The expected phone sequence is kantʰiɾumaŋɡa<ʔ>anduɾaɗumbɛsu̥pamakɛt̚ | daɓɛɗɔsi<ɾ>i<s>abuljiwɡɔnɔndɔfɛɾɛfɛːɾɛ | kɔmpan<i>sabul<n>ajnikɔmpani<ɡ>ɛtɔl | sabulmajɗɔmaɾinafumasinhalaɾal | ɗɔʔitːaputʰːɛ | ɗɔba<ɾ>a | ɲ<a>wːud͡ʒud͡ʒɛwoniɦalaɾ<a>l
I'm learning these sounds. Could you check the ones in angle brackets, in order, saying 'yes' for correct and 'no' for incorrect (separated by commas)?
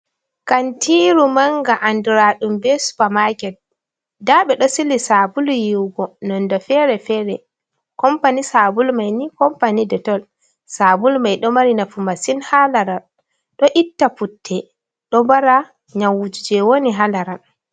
yes, no, yes, yes, no, no, yes, yes, yes